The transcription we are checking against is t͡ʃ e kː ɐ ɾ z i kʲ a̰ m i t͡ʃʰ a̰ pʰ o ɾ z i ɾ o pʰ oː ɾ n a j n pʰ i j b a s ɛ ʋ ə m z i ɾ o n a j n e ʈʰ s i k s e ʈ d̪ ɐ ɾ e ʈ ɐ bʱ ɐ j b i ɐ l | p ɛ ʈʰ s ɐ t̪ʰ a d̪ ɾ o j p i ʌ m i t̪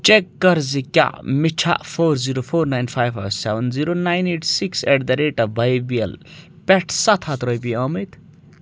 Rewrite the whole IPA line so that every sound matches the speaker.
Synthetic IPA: t͡ʃ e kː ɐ ɾ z i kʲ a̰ m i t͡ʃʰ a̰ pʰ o ɾ z i ɾ o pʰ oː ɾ n a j n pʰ a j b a s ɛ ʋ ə n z i ɾ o n a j n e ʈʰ s i k s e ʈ d̪ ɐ ɾ e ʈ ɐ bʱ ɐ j b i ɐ l | p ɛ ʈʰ s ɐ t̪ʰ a t̪ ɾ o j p i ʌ m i t̪